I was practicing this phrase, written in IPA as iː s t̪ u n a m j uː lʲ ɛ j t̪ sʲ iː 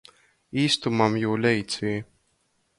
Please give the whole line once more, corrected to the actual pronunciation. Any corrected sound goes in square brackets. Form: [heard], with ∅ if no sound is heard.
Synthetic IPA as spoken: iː s t̪ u [m] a m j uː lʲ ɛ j t̪ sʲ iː